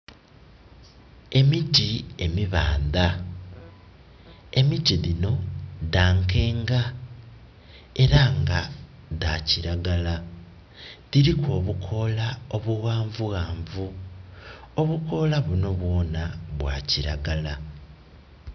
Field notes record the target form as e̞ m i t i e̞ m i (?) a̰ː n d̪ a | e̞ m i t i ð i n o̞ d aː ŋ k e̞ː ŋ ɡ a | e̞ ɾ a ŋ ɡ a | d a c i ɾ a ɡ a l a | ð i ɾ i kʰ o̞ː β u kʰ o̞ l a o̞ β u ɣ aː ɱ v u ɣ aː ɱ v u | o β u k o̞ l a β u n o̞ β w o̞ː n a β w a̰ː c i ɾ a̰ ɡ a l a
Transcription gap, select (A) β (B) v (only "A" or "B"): A